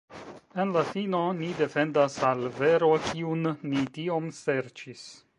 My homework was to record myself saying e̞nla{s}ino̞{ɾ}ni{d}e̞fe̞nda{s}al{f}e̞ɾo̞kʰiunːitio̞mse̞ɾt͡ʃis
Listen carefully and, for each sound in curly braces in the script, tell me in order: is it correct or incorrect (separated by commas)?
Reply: incorrect, incorrect, correct, correct, incorrect